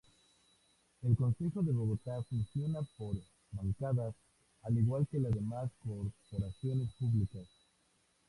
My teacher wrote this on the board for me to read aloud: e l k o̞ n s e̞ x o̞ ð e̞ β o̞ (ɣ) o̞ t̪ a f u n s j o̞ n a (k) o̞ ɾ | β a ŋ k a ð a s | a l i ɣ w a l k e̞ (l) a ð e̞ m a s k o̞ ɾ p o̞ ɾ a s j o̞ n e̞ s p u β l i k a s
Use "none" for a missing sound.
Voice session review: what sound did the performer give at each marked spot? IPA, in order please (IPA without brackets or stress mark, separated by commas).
ɣ, p, l